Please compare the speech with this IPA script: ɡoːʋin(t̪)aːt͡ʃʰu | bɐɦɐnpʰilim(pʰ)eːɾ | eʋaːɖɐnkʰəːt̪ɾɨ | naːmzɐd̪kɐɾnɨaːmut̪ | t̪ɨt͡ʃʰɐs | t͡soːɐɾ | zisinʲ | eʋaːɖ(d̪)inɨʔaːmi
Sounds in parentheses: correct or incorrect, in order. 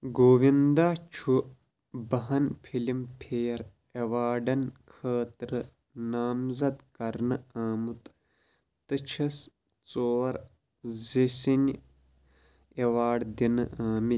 incorrect: d̪, correct, correct

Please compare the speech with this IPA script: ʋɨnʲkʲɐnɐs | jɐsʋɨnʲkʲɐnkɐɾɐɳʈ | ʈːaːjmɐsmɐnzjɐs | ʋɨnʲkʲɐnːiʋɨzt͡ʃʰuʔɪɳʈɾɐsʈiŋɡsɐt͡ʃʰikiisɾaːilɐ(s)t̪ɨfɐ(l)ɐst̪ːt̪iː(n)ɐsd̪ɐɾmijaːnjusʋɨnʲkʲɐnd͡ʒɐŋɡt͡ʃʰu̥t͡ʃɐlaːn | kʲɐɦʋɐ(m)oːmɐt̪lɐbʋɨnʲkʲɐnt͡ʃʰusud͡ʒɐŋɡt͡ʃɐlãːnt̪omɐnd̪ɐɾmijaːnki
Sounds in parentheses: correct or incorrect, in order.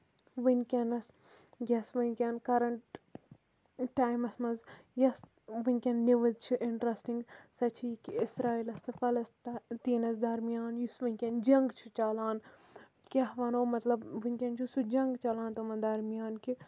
correct, correct, correct, incorrect: n

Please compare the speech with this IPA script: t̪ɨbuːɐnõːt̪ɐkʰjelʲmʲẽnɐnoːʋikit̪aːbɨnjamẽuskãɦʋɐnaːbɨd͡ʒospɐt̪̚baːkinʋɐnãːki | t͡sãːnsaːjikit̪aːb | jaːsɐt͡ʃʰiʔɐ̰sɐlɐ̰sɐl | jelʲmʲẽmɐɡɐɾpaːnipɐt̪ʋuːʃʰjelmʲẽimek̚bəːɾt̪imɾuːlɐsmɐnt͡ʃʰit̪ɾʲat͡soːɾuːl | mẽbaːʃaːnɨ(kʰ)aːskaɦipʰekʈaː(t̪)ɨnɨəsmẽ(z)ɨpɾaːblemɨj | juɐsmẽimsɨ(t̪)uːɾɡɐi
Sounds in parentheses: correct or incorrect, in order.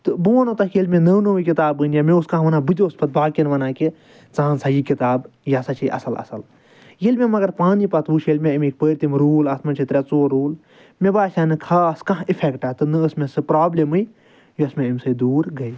correct, correct, incorrect: s, incorrect: d̪

